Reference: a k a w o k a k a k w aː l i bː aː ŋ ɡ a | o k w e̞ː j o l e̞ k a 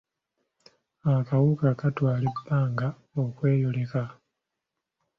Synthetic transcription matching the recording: a k a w u k a k a t w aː l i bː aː ŋ ɡ a | o k w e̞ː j o l e̞ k a

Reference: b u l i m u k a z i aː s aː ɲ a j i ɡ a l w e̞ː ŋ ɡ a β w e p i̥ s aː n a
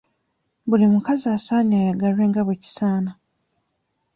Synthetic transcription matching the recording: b u l i m u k a z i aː s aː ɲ a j a ɡ a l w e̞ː ŋ ɡ a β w e c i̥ s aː n a

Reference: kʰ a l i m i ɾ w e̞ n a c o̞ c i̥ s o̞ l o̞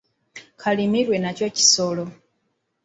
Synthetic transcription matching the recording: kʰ a l i m i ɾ w e̞ n a c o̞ c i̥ s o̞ l o̞

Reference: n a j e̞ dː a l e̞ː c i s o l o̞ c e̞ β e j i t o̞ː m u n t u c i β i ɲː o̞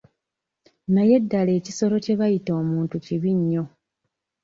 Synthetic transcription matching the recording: n a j e̞ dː a l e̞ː c i s o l o̞ c e̞ β a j i t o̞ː m uː n t u c i β i ɲː o̞

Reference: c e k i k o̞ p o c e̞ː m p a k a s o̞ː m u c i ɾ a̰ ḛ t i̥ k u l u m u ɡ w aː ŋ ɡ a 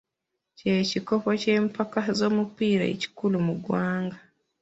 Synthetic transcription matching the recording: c e c i k o̞ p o c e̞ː m p a k a z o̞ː m u p i ɾ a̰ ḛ c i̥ k u l u m u ɡ w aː ŋ ɡ a

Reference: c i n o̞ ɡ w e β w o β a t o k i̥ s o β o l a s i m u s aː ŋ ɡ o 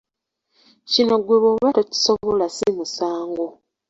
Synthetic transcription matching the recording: c i n o̞ ɡ w e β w o β a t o c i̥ s o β o l a s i m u s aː ŋ ɡ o

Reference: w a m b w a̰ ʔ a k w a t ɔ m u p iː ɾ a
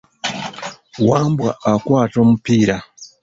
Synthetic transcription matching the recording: w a m b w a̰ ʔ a k w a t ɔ m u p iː ɾ a

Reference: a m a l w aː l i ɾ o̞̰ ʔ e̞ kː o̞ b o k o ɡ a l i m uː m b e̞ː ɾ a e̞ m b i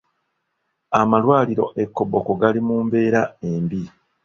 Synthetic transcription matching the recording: a m a l w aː l i ɾ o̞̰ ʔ e̞ kː o̞ b o k o ɡ a l i m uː m b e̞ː ɾ a e̞ m b i

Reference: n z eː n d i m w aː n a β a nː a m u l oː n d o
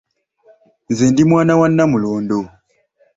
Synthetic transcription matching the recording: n z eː n d i m w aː n a w a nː a m u l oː n d o

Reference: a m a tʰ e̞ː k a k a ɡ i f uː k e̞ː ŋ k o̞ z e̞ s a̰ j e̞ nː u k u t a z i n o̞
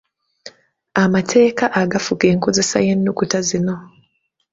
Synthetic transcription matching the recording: a m a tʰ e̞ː k a ʔ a ɡ a f u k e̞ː ŋ k o̞ z e̞ s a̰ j e̞ nː u k u t a z i n o̞

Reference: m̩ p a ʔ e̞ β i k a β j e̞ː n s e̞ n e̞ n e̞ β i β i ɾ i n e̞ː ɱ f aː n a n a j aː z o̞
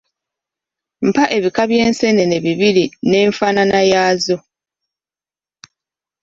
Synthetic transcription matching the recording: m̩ p a ʔ e̞ β i k a β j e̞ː n s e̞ n e̞ n e̞ β i β i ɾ i n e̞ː ɱ f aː n a n a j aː z o̞

